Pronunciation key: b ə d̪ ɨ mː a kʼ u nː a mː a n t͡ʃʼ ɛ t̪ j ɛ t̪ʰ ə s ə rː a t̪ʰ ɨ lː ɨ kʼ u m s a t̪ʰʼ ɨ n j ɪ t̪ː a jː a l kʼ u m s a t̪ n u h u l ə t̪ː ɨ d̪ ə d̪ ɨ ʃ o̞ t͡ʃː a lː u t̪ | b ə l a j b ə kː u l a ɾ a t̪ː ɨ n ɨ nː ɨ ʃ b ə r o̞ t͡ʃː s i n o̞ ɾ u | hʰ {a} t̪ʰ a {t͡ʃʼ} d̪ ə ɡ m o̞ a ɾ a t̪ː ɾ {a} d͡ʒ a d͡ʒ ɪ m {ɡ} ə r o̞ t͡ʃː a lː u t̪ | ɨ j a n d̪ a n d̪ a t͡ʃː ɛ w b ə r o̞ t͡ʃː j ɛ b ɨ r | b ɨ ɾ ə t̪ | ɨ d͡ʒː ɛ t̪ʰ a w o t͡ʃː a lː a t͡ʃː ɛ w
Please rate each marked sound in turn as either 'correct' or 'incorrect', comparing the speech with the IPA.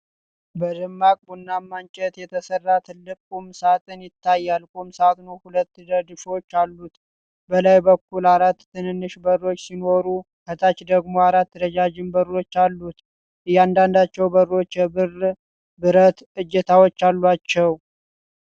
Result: incorrect: ə, incorrect: t͡ʃ, incorrect: ə, incorrect: b

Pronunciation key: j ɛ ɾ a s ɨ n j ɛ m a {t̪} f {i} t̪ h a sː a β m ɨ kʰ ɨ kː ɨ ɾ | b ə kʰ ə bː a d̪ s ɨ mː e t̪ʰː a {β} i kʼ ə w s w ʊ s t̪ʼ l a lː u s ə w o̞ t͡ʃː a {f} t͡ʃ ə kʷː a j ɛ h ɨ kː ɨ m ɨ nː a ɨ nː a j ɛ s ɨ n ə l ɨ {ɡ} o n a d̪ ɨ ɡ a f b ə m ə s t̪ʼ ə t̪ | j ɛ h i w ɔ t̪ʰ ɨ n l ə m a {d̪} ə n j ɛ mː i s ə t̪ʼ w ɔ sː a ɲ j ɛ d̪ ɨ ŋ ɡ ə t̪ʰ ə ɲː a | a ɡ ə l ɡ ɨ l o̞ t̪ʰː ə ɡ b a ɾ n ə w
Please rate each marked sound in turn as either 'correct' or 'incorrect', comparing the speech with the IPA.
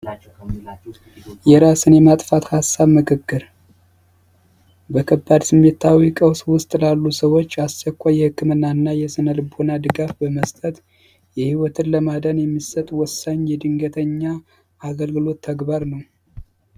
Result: incorrect: t̪ʼ, incorrect: a, incorrect: w, incorrect: s, incorrect: b, correct

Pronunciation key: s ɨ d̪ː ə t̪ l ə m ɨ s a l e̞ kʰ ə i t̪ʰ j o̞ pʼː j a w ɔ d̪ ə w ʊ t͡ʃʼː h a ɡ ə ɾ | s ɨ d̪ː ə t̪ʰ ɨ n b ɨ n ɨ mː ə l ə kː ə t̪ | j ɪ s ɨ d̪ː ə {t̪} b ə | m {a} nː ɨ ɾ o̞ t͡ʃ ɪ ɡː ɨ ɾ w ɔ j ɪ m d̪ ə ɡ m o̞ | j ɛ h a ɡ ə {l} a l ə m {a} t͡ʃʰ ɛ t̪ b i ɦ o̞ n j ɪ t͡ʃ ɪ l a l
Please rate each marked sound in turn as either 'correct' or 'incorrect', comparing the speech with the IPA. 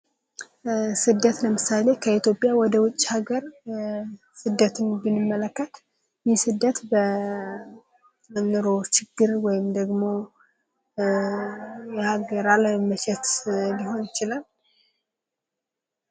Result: correct, incorrect: ə, incorrect: ɾ, incorrect: ə

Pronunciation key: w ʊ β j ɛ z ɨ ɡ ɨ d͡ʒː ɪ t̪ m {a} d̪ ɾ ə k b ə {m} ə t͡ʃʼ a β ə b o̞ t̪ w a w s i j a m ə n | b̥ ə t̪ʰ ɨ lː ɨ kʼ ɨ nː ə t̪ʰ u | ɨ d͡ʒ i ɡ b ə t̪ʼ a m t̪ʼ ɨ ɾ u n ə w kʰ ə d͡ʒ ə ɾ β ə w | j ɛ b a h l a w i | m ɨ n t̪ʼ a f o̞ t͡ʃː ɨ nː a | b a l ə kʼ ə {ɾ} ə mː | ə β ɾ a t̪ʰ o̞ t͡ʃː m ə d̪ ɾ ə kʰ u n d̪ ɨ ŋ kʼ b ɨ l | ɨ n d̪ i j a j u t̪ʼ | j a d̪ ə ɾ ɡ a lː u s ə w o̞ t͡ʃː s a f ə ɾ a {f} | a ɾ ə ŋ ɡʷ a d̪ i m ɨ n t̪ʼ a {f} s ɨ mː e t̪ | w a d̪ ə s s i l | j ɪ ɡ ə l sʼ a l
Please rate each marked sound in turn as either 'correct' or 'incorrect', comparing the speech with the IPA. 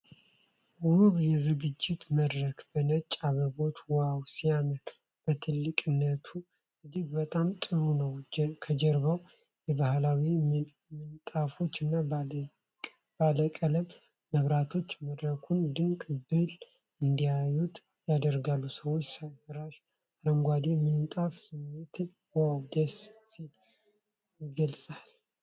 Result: incorrect: ə, incorrect: n, incorrect: l, incorrect: ʃ, correct

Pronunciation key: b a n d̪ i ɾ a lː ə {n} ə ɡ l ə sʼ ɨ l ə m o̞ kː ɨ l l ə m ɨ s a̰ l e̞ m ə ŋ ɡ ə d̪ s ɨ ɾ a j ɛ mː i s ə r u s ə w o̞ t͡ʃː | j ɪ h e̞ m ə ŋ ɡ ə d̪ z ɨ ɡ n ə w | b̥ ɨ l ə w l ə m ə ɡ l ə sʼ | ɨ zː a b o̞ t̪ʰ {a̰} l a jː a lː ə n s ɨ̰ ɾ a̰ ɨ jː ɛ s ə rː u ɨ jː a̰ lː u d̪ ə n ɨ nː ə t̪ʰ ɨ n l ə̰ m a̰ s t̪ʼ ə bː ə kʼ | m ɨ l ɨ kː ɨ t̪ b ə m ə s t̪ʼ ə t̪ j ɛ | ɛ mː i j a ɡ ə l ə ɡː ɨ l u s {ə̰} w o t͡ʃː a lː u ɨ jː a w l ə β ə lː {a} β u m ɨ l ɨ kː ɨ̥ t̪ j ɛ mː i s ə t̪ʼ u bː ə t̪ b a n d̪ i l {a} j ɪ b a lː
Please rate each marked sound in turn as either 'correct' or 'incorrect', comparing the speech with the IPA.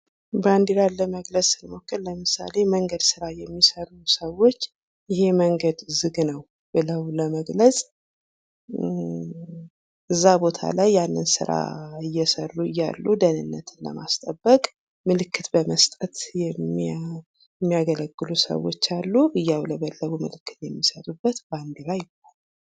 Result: incorrect: m, correct, correct, incorrect: ə, correct

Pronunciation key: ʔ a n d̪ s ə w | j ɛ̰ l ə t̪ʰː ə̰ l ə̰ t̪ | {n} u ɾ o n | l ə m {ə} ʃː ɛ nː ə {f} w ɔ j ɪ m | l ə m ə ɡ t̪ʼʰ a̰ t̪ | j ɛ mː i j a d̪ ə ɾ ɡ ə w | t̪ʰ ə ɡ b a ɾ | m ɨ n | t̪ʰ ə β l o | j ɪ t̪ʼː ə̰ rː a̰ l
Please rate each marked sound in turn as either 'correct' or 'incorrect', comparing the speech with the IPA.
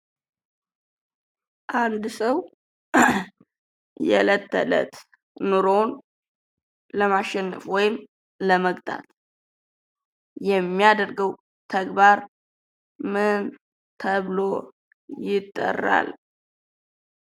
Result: correct, incorrect: a, correct

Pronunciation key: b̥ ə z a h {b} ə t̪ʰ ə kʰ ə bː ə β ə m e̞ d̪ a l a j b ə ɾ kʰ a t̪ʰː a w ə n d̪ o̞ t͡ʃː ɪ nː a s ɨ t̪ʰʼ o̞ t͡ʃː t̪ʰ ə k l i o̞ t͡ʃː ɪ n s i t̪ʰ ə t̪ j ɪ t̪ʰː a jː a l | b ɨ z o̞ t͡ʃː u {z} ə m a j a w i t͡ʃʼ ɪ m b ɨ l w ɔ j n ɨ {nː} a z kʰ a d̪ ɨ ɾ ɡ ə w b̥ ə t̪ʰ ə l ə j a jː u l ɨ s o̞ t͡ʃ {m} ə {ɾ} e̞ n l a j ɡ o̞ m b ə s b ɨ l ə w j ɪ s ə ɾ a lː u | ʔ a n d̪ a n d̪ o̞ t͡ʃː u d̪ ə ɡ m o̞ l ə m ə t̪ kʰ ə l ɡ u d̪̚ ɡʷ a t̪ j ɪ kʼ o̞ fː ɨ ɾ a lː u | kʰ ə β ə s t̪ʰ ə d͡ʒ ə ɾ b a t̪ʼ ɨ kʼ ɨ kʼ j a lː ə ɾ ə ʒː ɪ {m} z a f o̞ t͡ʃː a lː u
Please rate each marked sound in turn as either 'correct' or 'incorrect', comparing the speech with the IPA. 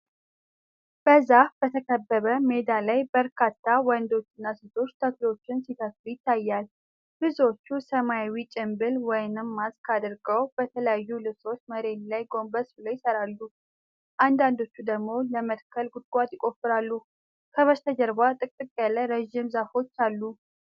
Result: correct, incorrect: s, incorrect: mː, correct, correct, correct

